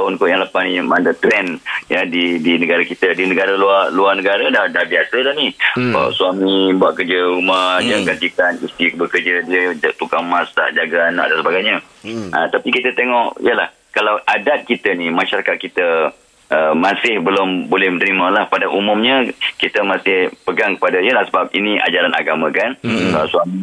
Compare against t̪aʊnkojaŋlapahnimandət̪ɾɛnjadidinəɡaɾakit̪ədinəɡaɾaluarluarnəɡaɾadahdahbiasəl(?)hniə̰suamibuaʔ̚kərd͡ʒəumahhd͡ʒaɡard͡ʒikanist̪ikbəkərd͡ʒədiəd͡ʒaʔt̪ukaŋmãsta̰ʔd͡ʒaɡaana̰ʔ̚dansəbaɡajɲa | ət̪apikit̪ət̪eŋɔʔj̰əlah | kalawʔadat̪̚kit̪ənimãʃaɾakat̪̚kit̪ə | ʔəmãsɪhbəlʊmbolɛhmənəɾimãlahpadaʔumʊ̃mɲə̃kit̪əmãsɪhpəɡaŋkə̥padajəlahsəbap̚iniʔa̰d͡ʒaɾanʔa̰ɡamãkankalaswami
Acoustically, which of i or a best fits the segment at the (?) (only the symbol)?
a